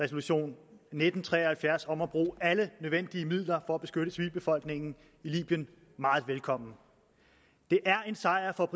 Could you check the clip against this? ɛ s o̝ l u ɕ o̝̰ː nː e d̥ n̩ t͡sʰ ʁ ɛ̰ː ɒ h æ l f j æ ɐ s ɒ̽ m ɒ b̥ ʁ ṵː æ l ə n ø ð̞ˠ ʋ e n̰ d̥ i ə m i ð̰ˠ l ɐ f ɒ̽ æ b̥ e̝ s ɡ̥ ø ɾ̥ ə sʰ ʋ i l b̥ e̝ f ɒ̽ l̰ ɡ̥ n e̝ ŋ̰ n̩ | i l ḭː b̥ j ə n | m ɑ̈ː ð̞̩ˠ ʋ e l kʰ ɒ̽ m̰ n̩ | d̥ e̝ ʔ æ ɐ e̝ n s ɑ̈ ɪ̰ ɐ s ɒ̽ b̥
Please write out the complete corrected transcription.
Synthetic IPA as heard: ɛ s o̝ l u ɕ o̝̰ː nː e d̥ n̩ t͡sʰ ʁ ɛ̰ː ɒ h æ l f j æ ɐ s ɒ̽ m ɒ b̥ ʁ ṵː æ l ə n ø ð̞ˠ ʋ e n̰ d̥ i ə m i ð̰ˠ l ɐ f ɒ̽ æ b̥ e̝ s ɡ̥ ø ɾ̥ ə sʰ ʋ i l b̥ e̝ f ɒ̽ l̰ ɡ̥ n e̝ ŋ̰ n̩ | i l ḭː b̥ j ə n | m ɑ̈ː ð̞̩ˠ ʋ e l kʰ ɒ̽ m̰ n̩ | d̥ e̝ ʔ æ ɐ e̝ n s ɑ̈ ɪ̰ ɐ f ɒ̽ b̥